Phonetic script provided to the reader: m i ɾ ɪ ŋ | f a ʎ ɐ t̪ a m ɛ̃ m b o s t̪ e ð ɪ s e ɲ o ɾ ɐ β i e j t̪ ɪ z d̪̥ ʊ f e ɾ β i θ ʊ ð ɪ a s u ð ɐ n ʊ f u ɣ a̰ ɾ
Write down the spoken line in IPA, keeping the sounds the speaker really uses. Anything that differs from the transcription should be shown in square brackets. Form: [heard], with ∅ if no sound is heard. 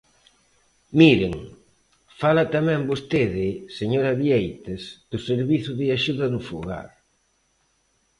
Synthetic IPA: m i ɾ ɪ ŋ | f a [l] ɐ t̪ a m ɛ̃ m b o s t̪ e ð ɪ s e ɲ o ɾ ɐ β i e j t̪ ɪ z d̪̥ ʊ [s] e ɾ β i θ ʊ ð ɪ a [ʃ] u ð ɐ n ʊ f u ɣ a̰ ɾ

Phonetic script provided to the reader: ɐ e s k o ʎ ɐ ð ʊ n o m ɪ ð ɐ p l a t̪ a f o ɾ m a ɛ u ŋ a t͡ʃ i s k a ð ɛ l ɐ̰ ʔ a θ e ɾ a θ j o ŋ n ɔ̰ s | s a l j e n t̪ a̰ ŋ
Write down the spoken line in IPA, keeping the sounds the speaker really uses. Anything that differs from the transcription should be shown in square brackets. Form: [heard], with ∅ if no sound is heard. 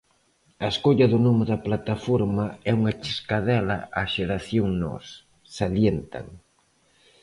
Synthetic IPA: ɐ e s k o ʎ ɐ ð ʊ n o m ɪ ð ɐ p l a t̪ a f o ɾ m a ɛ u ŋ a t͡ʃ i s k a ð ɛ l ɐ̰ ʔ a [ʃ] e ɾ a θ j o ŋ n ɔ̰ s | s a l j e n t̪ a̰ ŋ

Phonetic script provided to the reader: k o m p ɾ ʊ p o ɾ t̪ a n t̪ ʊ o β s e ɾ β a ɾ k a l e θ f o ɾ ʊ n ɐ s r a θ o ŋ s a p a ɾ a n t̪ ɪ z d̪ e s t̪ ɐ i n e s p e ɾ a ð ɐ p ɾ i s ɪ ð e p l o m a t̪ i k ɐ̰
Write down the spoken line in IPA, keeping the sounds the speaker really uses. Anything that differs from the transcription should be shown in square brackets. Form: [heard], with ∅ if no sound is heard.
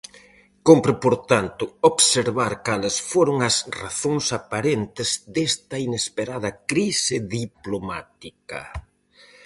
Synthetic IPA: k o m p ɾ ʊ p o ɾ t̪ a n t̪ ʊ o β s e ɾ β a ɾ k a l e [s] f o ɾ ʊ [ŋ] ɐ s r a θ o ŋ s a p a ɾ [e] n t̪ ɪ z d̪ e s t̪ ɐ i n e s p e ɾ a ð ɐ [k] ɾ i s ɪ ð [i] p l o m a t̪ i k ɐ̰

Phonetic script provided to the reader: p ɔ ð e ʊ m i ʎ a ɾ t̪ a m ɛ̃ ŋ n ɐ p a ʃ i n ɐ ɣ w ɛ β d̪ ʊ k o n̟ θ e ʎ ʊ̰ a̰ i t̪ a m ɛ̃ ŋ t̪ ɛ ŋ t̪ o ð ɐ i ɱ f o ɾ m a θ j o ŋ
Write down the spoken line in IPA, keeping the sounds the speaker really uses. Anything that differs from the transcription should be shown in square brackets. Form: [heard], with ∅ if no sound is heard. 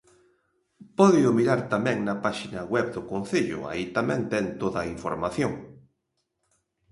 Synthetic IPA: p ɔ ð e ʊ m i [ɾ] a ɾ t̪ a m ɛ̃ ŋ n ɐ p a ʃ i n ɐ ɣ w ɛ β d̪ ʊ k o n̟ θ e ʎ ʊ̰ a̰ i t̪ a m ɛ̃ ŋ t̪ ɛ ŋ t̪ o ð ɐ i ɱ f o ɾ m a θ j o ŋ

